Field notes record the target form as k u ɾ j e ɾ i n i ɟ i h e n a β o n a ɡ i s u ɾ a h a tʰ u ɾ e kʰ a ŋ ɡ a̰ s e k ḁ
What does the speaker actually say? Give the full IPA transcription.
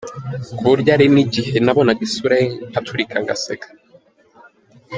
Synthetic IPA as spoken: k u ɾ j a ɾ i n i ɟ i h e n a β o n a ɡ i s u ɾ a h a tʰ u ɾ i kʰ a ŋ ɡ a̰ s e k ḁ